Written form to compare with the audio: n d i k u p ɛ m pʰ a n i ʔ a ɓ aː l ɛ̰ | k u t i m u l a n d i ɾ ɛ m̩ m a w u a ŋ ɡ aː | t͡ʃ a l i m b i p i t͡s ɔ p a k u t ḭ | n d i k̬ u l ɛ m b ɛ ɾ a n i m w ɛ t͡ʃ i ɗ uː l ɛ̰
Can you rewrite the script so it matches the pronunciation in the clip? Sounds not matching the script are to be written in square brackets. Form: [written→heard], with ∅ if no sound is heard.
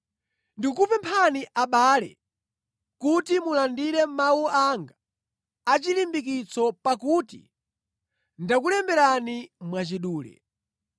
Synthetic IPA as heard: n d i k u p ɛ m pʰ a n i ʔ a ɓ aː l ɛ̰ | k u t i m u l a n d i ɾ ɛ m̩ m a w u a ŋ ɡ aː | t͡ʃ [a→i] l i m b i [p→k] i t͡s ɔ p a k u t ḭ | n d [i→a] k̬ u l ɛ m b ɛ ɾ a n i m w [ɛ→a] t͡ʃ i ɗ uː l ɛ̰